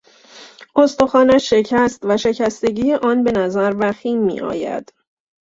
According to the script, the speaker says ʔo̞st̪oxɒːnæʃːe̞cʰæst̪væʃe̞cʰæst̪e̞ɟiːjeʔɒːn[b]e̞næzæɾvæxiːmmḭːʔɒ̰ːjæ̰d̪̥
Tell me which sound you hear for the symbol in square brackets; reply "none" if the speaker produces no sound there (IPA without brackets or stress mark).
b